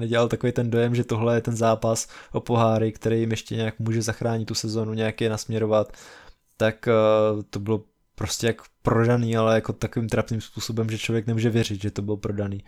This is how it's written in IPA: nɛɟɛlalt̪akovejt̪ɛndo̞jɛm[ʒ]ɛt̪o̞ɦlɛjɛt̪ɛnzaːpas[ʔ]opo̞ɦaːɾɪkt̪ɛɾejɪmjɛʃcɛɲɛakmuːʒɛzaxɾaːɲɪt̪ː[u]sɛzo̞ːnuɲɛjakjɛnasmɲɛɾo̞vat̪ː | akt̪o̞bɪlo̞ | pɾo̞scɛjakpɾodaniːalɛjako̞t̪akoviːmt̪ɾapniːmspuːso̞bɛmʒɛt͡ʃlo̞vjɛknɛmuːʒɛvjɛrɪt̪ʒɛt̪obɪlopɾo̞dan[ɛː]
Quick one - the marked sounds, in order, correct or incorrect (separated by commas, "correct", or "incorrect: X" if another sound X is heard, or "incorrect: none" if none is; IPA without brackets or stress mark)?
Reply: correct, correct, correct, incorrect: iː